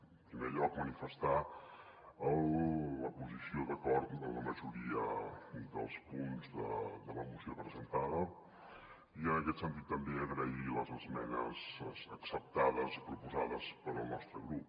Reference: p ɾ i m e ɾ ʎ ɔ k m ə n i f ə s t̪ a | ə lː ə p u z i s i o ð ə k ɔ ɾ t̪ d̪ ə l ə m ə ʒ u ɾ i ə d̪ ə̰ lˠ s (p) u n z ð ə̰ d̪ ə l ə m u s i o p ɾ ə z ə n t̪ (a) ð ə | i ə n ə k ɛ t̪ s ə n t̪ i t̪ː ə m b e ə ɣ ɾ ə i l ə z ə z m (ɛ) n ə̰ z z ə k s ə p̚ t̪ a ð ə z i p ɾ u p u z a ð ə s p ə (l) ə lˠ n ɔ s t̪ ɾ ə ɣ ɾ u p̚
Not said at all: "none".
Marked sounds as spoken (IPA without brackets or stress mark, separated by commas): p, a, ɛ, ɾ